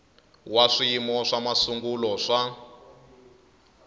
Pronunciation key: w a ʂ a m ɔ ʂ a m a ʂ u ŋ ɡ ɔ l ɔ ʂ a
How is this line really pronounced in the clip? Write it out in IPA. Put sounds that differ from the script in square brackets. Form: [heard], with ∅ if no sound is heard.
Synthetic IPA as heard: w a ʂ [i] m ɔ ʂ a m a [s] u ŋ ɡ [u] l ɔ ʂ a